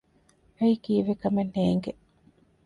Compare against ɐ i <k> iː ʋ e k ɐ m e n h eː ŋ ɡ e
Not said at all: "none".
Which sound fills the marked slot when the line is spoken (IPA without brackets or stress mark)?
k